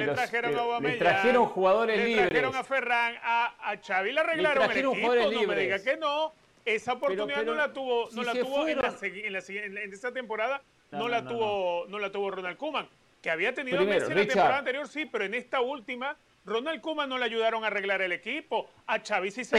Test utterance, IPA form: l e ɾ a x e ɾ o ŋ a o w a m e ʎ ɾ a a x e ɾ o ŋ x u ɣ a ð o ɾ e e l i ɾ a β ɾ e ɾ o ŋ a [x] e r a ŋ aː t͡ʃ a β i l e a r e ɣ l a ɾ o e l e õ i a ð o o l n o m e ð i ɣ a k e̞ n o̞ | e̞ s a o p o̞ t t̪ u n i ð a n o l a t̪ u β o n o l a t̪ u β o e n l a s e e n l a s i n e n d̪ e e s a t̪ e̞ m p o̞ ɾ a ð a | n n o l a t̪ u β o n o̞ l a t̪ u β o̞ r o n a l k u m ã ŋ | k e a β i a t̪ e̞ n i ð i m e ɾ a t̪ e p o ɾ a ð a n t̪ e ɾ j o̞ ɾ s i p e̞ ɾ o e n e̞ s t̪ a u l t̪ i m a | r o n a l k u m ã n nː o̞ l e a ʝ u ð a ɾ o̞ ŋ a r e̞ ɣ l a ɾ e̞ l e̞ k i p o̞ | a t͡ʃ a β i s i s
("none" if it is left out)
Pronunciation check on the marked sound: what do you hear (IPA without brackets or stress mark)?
f